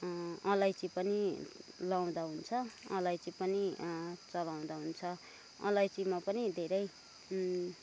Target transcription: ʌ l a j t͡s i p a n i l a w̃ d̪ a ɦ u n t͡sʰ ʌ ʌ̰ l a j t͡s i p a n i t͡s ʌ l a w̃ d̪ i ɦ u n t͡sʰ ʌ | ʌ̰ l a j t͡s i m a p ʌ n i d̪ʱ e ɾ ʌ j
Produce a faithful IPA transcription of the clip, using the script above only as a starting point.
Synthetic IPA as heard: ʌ l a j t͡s i p ʌ n i l a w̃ d̪ a ɦ u n t͡sʰ ʌ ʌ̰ l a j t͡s i p ʌ n i t͡s ʌ l a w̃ d̪ a ɦ u n t͡sʰ ʌ | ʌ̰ l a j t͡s i m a p ʌ n i d̪ʱ e ɾ ʌ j